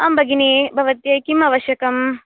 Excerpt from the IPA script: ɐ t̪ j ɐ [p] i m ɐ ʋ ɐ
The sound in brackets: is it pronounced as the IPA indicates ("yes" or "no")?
no